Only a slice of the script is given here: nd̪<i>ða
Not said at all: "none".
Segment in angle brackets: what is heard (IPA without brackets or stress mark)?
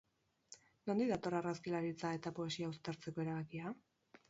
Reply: i